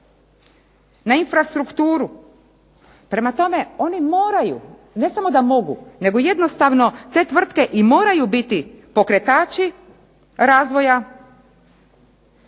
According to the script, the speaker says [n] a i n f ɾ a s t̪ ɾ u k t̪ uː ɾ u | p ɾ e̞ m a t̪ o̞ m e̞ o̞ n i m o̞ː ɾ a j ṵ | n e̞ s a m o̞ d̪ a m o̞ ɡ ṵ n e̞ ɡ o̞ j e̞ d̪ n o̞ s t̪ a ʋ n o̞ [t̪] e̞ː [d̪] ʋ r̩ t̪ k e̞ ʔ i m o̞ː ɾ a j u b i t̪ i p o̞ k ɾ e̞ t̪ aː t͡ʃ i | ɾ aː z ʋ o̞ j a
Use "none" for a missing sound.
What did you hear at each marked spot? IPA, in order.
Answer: n, t̪, t̪

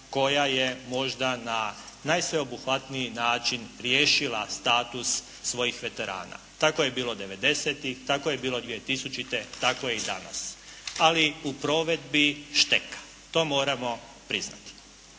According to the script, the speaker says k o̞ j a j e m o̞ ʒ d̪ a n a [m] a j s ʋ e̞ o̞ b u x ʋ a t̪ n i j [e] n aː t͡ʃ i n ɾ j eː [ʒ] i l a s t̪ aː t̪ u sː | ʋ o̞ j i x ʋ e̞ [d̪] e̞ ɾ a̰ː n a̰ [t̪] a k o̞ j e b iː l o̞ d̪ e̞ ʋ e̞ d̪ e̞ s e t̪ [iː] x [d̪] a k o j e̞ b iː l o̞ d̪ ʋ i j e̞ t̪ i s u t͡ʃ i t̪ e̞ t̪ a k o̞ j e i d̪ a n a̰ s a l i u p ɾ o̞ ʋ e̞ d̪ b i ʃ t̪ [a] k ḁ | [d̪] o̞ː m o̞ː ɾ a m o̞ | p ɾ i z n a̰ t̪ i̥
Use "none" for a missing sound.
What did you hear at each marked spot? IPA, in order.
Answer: n, i, ʃ, t̪, t̪, i, t̪, e, t̪

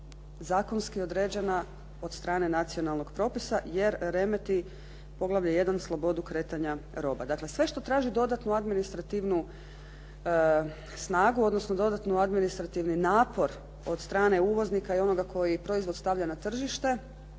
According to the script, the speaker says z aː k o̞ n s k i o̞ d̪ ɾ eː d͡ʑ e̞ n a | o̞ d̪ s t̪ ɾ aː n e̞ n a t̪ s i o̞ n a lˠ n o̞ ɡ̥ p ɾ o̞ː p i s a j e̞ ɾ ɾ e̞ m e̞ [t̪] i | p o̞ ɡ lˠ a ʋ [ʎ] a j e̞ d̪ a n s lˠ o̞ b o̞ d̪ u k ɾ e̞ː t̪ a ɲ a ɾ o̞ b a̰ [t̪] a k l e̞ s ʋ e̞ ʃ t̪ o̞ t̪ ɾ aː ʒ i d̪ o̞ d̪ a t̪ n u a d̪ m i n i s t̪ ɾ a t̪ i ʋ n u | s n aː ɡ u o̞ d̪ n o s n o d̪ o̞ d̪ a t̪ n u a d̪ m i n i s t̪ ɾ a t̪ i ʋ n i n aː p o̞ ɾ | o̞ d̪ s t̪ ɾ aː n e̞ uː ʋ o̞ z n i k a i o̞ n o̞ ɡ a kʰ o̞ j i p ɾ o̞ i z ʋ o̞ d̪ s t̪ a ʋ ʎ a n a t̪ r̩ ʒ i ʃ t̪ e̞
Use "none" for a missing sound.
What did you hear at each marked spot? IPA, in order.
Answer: t̪, ʎ, d̪

